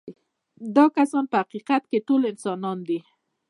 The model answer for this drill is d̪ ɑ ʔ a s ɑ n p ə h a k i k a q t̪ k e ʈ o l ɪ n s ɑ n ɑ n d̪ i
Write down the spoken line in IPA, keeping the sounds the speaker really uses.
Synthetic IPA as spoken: d̪ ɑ k a s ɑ n p ə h a q i q a t̪ k e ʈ o l ɪ n s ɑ n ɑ n d̪ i